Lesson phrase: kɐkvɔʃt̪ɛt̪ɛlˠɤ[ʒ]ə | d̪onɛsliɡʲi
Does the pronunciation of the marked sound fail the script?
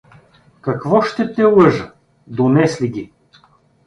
no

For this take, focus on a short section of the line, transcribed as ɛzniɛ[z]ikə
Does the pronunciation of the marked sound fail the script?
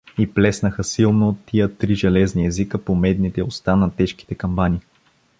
no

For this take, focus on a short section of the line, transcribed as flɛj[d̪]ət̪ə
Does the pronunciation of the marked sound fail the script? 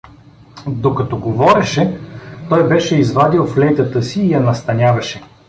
yes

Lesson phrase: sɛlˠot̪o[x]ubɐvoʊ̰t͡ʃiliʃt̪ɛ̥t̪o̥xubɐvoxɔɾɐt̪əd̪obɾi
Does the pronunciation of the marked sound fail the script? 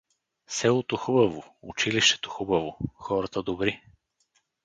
no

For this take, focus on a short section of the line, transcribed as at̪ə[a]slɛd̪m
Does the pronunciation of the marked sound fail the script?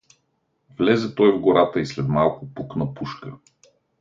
yes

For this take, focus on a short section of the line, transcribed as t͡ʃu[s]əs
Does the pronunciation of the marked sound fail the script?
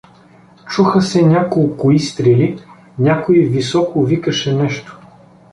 yes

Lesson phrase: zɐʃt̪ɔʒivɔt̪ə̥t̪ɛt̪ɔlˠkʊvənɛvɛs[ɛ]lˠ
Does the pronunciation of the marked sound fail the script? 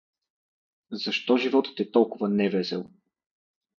no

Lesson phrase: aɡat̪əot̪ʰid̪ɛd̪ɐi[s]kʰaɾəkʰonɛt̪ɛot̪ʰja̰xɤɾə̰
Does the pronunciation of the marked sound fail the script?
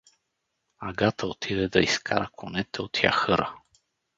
no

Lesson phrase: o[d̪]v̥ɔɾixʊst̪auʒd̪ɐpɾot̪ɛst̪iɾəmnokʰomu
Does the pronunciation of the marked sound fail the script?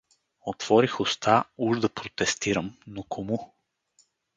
yes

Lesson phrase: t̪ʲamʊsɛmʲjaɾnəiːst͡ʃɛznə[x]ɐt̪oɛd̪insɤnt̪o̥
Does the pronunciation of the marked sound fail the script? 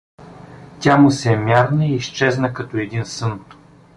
yes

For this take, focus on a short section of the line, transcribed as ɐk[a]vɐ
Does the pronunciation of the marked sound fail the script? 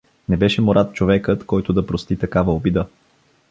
no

